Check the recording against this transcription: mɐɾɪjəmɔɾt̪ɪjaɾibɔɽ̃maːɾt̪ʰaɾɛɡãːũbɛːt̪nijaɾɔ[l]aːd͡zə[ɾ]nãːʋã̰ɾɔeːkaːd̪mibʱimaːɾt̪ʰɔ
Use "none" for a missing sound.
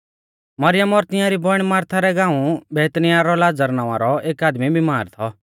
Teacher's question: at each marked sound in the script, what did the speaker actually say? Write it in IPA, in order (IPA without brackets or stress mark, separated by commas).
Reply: l, ɾ